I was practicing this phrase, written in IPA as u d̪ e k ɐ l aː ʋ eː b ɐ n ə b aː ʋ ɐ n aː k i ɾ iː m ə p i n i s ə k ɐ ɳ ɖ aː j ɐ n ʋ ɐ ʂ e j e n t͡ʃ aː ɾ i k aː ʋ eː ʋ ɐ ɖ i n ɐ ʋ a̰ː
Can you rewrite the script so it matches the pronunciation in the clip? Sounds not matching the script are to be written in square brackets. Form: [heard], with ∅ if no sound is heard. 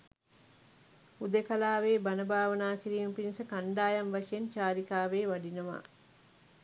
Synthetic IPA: u d̪ e k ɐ l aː ʋ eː b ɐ n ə b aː ʋ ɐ n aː k i ɾ iː m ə p i n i s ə k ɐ ɳ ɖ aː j ɐ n ʋ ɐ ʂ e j e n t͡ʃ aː ɾ i k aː ʋ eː ʋ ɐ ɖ i n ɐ ʋ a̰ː